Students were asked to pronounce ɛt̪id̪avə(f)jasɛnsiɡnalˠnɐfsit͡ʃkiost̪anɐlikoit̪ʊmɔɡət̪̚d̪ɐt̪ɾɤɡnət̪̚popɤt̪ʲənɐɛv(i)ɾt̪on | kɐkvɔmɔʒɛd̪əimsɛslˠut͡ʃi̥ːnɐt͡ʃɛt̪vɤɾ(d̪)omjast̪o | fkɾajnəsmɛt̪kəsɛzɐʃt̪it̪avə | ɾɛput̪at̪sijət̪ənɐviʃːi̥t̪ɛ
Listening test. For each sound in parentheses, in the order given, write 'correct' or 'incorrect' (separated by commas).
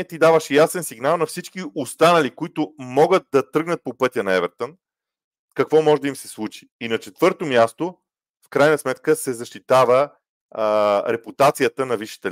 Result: incorrect, incorrect, incorrect